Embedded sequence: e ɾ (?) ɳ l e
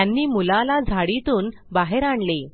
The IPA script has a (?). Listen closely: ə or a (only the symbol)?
a